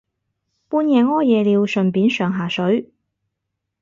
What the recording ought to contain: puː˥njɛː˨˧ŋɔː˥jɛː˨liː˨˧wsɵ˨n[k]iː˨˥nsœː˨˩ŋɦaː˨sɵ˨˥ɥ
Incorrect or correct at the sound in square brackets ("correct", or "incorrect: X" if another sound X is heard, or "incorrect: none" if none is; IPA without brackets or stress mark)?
incorrect: p